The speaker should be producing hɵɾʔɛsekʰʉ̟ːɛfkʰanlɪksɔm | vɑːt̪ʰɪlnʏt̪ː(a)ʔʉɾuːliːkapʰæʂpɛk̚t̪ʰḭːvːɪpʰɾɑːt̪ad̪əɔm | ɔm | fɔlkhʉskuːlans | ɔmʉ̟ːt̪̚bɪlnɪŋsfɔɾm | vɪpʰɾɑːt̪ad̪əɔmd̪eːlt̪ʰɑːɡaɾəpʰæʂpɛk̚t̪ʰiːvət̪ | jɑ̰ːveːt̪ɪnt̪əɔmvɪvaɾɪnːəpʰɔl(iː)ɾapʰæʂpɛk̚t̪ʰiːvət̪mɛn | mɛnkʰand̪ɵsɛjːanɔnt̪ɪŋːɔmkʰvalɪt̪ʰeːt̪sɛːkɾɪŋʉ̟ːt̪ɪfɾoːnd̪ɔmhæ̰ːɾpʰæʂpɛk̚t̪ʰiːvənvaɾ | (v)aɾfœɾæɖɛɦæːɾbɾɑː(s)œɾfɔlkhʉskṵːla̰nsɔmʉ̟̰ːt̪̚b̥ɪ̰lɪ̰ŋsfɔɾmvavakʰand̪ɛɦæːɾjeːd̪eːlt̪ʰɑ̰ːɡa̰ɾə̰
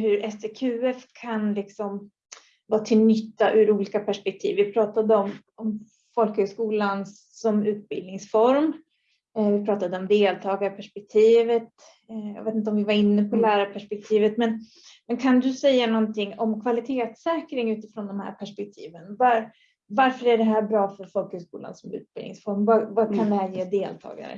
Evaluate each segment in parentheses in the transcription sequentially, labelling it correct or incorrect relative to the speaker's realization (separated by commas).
correct, incorrect, correct, incorrect